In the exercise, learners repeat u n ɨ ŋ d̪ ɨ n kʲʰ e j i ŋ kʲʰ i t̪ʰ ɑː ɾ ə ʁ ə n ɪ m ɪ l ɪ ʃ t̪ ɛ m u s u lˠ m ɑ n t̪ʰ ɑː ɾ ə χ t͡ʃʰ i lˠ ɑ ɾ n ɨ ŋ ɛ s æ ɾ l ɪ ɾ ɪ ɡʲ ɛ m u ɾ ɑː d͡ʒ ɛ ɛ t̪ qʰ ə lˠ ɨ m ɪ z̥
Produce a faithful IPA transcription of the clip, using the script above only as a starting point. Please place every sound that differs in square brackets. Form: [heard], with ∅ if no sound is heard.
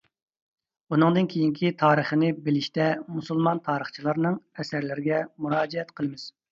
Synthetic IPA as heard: u n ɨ ŋ d̪ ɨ n kʲʰ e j i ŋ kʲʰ i t̪ʰ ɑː ɾ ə [χ] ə n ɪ [b] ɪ l ɪ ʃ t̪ ɛ m u s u lˠ m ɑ n t̪ʰ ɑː ɾ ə χ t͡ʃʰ i lˠ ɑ ɾ n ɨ ŋ ɛ s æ ɾ l ɪ ɾ ɪ ɡʲ ɛ m u ɾ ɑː d͡ʒ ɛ ɛ t̪ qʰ ə lˠ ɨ m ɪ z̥